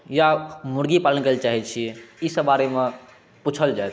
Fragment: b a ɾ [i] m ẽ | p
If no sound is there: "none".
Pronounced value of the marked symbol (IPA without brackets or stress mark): e